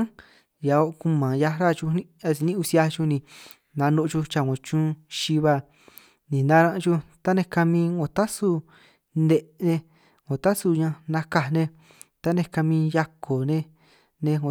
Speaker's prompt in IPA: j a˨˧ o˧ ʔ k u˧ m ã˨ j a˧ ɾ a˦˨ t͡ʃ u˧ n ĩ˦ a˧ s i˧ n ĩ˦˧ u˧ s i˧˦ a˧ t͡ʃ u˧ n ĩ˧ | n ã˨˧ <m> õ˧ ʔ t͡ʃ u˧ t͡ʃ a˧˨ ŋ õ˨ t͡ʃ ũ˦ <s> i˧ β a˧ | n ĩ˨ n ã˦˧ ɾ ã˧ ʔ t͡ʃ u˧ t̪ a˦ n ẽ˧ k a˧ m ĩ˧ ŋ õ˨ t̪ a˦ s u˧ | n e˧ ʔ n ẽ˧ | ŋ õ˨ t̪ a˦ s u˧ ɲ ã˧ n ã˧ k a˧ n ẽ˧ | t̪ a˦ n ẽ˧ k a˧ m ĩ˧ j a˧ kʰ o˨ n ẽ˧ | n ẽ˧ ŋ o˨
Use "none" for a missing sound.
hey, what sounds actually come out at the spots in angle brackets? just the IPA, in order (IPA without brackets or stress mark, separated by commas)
n, ʃ